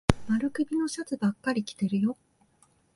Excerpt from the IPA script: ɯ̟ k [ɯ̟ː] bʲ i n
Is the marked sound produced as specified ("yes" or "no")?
no